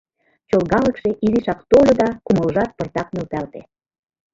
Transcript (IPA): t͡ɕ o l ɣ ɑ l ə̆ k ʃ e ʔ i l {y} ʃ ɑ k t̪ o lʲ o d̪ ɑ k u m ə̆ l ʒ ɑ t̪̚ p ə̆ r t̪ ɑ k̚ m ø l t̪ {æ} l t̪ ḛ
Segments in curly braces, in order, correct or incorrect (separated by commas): incorrect, correct